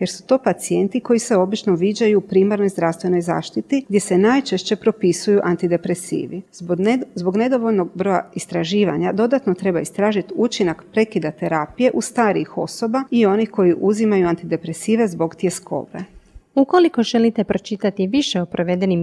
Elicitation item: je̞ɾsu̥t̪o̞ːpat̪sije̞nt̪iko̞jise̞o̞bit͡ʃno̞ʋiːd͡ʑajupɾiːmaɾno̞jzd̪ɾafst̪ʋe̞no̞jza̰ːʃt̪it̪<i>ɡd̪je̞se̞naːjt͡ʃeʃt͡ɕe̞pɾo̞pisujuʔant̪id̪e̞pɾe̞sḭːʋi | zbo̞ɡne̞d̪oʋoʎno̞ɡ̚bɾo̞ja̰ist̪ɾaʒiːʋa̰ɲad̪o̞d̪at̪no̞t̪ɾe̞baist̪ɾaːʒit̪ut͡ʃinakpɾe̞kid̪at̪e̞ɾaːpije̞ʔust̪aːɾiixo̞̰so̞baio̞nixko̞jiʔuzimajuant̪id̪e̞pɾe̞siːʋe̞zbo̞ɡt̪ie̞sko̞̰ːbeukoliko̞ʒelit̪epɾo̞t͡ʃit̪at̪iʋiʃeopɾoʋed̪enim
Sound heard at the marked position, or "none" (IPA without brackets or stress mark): i